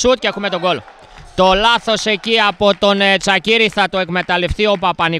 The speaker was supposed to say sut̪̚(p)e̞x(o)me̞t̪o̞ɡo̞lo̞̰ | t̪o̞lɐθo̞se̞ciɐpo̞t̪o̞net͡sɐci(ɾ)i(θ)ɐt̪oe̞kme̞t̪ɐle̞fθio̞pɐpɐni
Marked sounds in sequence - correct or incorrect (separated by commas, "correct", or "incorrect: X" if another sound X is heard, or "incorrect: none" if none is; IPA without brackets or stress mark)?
incorrect: c, incorrect: u, correct, correct